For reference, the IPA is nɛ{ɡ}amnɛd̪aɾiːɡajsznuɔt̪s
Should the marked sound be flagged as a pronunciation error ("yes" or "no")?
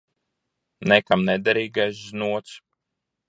yes